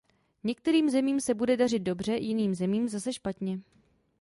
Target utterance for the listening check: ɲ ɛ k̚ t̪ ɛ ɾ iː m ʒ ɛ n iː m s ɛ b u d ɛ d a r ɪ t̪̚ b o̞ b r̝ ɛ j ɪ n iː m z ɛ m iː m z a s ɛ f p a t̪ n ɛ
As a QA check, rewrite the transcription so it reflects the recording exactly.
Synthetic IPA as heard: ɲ ɛ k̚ t̪ ɛ ɾ iː m z ɛ m iː m s ɛ b u d ɛ d a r ɪ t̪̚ d o̞ b r̝ ɛ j ɪ n iː m z ɛ m iː m z a s ɛ ʃ p a t̪ ɲ ɛ

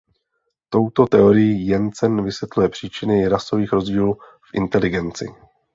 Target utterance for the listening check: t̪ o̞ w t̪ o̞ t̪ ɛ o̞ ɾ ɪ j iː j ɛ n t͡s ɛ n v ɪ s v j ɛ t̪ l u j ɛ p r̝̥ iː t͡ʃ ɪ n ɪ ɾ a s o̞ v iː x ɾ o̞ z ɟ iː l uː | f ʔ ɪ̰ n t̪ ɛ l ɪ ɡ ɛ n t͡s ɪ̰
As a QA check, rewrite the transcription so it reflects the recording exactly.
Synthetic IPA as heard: t̪ o̞ w t̪ o̞ t̪ ɛ o̞ ɾ ɪ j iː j ɛ n t͡s ɛ n v ɪ s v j ɛ t̪ l u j ɛ p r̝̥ iː t͡ʃ ɪ n ɪ ɾ a s o̞ v iː x ɾ o̞ z ɟ iː l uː | f ʔ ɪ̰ n t̪ ɛ l ɪ ɡ ɛ n t͡s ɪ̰

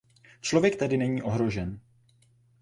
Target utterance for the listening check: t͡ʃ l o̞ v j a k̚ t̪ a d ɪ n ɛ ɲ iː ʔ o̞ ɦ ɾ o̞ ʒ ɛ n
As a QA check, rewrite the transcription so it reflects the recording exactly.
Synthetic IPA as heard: t͡ʃ l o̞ v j ɛ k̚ t̪ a d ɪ n ɛ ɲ iː ʔ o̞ ɦ ɾ o̞ ʒ ɛ n

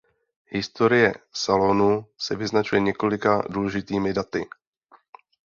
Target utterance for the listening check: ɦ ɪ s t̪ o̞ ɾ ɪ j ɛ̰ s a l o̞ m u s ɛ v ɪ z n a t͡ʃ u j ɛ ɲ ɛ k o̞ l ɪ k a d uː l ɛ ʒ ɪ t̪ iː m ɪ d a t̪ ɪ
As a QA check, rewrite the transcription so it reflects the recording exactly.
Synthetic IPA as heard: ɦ ɪ s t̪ o̞ ɾ ɪ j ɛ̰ s a l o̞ n u s ɛ v ɪ z n a t͡ʃ u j ɛ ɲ ɛ k o̞ l ɪ k a d uː l ɛ ʒ ɪ t̪ iː m ɪ d a t̪ ɪ

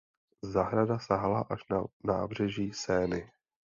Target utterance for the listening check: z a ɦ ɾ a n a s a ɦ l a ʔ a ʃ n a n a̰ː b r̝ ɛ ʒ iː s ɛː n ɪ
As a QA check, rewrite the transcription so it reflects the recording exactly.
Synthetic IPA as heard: z a ɦ ɾ a d a s a ɦ l a ʔ a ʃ n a n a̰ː b r̝ ɛ ʒ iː s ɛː n ɪ

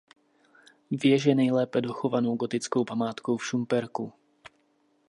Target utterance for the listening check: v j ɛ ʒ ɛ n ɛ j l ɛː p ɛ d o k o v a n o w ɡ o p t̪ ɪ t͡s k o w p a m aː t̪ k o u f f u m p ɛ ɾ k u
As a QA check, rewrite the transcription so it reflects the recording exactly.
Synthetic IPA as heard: v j ɛ ʒ ɛ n ɛ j l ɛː p ɛ d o x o v a n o w ɡ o t̪ ɪ t͡s k o w p a m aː t̪ k o w f ʃ u m p ɛ ɾ k u

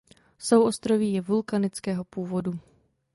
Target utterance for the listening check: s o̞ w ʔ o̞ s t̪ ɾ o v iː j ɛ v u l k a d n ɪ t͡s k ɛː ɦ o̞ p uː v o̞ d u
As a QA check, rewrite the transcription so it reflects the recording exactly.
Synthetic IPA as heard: s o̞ w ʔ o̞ s t̪ ɾ o v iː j ɛ v u l k a n ɪ t͡s k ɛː ɦ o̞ p uː v o̞ d u

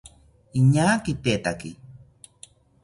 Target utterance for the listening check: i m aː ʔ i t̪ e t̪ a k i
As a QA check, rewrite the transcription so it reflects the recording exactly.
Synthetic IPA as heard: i ɲ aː k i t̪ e t̪ a k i

